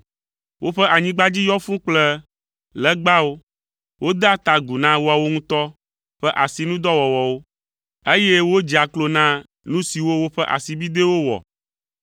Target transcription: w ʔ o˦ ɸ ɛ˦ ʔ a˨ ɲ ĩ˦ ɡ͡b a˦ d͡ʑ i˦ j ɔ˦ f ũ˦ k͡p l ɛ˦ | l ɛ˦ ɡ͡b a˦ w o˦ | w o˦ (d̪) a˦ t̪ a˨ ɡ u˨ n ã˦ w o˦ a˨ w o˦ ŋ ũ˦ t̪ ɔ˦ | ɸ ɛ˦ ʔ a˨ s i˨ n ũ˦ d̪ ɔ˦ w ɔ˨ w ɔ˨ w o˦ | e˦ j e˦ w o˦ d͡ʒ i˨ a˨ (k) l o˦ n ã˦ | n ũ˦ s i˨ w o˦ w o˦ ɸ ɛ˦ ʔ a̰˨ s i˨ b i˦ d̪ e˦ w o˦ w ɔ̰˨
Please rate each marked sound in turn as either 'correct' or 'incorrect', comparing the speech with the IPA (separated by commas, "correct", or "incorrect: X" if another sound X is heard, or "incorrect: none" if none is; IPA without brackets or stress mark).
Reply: correct, correct